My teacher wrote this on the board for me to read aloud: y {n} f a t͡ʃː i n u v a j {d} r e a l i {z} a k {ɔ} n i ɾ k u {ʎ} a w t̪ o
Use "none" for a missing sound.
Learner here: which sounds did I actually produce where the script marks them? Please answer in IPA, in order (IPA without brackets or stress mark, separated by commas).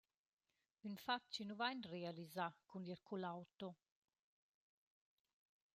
n, n, z, u, l